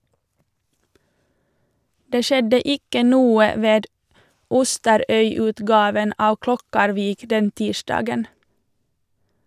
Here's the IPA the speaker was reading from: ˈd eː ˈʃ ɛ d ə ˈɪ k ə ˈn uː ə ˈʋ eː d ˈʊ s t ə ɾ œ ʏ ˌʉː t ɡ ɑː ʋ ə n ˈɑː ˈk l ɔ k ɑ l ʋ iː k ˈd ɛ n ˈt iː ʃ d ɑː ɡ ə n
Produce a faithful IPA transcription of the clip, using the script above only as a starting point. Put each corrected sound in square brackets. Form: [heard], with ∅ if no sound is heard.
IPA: ˈd eː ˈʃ ɛ d ə ˈɪ k ə ˈn uː ə ˈʋ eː d ˈʊ s t ə ɾ œ ʏ ˌʉː t ɡ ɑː ʋ ə n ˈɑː ˈk l ɔ k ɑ [ɾ] ʋ iː k ˈd ɛ n ˈt iː ʃ d ɑː ɡ ə n